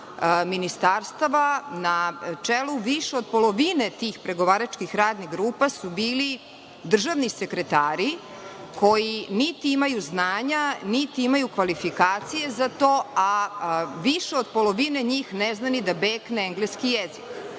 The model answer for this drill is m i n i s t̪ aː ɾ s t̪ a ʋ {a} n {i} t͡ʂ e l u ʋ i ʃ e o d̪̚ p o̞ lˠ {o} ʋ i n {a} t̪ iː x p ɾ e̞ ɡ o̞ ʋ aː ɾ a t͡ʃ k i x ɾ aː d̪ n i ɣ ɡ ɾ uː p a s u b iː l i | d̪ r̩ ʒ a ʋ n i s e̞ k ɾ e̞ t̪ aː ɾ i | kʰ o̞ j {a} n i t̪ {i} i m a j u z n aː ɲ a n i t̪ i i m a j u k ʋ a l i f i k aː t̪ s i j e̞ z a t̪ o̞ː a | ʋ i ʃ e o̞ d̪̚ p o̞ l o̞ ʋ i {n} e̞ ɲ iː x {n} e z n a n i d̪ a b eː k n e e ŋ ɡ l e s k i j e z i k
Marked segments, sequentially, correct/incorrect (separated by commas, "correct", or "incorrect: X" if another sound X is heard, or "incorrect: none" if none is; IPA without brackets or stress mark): correct, incorrect: a, correct, incorrect: e, incorrect: i, correct, correct, correct